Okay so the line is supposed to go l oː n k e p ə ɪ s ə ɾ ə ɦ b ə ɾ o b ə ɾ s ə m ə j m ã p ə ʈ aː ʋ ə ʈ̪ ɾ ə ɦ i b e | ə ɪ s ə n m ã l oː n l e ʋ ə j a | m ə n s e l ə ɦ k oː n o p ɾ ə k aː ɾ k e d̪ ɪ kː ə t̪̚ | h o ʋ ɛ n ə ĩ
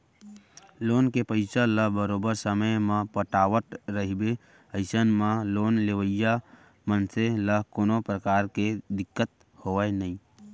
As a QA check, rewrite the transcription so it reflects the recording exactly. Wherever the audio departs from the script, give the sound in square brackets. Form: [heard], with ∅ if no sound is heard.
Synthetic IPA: l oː n k e p ə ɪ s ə [l] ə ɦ b ə ɾ o b ə ɾ s ə m ə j m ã p ə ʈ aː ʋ ə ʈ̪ ɾ ə ɦ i b e | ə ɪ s ə n m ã l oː n l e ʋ ə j a | m ə n s e l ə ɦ k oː n o p ɾ ə k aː ɾ k e d̪ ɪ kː ə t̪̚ | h o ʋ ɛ n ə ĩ

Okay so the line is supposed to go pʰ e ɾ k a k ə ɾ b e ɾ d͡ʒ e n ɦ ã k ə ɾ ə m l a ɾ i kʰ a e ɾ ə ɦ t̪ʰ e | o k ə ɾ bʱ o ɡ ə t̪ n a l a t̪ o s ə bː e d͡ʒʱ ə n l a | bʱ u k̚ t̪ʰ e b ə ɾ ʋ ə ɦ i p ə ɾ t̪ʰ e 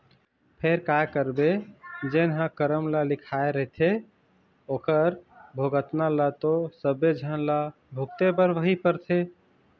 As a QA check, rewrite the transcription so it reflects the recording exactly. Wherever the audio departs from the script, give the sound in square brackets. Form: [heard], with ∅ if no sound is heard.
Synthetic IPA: pʰ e ɾ k a k ə ɾ b e [∅] d͡ʒ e n ɦ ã k ə ɾ ə m l a [l] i kʰ a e ɾ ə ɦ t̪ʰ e | o k ə ɾ bʱ o ɡ ə t̪ n a l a t̪ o s ə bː e d͡ʒʱ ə n l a | bʱ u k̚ [t̪] e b ə ɾ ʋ ə ɦ i p ə ɾ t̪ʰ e

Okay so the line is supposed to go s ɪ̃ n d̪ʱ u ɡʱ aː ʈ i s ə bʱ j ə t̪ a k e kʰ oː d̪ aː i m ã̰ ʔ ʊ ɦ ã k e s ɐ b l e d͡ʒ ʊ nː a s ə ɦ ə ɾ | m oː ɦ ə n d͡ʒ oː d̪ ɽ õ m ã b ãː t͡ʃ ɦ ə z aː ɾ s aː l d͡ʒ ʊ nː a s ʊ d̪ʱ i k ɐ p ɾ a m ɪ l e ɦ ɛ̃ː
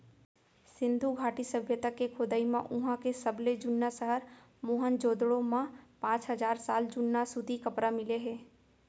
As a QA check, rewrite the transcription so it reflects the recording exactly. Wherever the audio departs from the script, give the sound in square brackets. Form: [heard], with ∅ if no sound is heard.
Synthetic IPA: s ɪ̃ n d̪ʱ u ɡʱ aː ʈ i s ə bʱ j ə t̪ a k e kʰ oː d̪ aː i m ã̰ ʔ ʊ ɦ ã k e s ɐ b l e d͡ʒ ʊ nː a s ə ɦ ə ɾ | m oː ɦ ə n d͡ʒ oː d̪ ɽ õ m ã [p] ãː t͡ʃ ɦ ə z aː ɾ s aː l d͡ʒ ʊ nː a s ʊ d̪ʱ i k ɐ p ɾ a m ɪ l e ɦ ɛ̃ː

